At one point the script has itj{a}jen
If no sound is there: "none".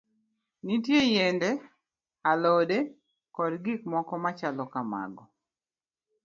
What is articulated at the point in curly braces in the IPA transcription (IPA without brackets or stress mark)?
e